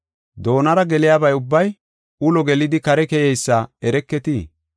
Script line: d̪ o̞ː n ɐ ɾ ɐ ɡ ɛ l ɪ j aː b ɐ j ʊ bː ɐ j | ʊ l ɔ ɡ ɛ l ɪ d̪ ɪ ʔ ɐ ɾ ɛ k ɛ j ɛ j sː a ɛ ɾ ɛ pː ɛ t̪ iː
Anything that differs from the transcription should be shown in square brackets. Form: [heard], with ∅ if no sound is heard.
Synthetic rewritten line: d̪ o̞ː n ɐ ɾ ɐ ɡ ɛ l ɪ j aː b ɐ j ʊ bː ɐ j | ʊ l ɔ ɡ ɛ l ɪ d̪ ɪ [k] ɐ ɾ ɛ k ɛ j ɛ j sː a ɛ ɾ ɛ [kː] ɛ t̪ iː